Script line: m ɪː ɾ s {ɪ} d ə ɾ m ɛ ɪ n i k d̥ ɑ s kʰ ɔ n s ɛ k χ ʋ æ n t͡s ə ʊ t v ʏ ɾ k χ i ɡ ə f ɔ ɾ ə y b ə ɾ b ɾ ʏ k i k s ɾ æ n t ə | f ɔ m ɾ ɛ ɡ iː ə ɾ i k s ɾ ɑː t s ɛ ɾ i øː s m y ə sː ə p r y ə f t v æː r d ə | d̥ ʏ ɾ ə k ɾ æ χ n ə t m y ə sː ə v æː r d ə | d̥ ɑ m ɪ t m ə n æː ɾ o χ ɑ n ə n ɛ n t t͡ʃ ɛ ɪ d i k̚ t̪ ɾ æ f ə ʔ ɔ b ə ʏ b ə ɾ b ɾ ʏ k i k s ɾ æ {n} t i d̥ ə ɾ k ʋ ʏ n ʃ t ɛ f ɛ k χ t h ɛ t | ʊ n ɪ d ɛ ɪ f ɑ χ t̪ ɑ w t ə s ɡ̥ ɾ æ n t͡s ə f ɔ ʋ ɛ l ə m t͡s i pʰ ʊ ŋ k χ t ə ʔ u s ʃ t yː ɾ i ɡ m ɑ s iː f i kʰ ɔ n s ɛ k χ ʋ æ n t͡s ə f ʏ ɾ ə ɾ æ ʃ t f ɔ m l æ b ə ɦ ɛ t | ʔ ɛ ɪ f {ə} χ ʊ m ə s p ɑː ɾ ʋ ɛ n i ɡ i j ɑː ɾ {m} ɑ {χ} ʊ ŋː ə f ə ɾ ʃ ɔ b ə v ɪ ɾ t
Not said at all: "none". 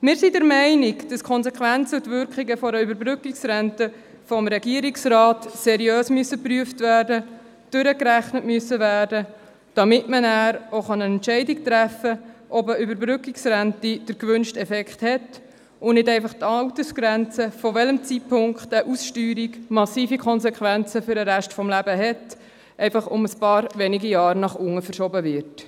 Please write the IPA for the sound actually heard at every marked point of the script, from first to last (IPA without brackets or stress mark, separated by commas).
i, n, ɑ, n, χ